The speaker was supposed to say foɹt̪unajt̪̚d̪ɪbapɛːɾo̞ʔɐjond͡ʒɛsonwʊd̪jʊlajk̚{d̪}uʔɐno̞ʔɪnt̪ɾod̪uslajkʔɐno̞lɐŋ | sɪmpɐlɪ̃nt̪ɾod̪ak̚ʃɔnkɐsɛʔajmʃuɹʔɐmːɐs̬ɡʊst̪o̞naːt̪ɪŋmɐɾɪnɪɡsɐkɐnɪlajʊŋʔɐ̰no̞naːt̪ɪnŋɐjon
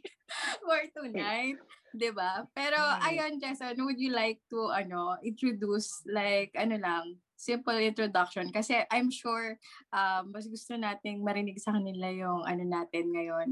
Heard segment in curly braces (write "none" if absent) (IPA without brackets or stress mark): t̪